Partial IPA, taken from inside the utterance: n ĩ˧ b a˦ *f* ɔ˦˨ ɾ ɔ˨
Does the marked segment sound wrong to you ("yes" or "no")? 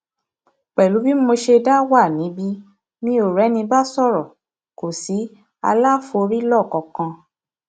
yes